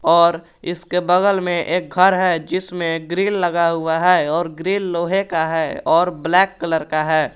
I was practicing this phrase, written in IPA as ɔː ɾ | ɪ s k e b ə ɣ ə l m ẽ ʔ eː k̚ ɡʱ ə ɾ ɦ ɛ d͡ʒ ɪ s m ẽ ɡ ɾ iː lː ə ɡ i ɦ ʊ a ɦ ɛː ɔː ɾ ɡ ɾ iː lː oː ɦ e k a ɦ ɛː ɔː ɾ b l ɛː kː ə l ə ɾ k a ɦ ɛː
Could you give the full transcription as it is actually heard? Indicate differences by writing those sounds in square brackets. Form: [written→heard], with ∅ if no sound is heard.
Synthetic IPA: ɔː ɾ | ɪ s k e b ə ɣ ə l m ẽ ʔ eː k̚ ɡʱ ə ɾ ɦ ɛ d͡ʒ ɪ s m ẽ ɡ ɾ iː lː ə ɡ [i→a] ɦ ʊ a ɦ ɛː ɔː ɾ ɡ ɾ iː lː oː ɦ e k a ɦ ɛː ɔː ɾ b l ɛː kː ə l ə ɾ k a ɦ ɛː